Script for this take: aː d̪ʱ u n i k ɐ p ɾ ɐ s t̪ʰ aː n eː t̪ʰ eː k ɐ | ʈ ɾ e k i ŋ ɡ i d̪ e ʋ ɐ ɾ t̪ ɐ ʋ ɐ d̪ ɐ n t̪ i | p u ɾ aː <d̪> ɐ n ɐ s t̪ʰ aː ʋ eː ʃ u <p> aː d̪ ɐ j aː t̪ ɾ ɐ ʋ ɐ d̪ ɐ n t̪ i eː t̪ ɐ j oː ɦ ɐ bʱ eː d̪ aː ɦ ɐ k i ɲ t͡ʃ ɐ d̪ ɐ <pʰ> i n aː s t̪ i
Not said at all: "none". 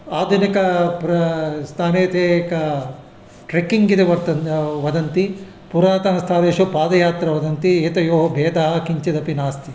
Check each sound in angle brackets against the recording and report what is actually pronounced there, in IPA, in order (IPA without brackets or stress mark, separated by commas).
t̪, p, p